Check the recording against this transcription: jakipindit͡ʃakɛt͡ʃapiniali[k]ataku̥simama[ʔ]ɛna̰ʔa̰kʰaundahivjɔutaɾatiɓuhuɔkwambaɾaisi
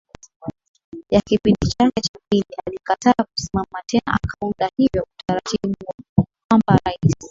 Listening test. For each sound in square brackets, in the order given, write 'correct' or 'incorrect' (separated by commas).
correct, incorrect